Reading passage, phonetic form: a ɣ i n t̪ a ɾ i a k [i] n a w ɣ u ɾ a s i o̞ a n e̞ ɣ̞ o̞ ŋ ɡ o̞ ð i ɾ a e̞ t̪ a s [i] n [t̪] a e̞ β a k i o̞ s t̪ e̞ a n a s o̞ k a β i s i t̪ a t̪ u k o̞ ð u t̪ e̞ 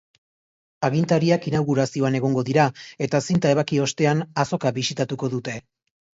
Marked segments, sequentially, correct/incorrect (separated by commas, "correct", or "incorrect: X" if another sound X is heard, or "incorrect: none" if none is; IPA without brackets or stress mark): correct, correct, correct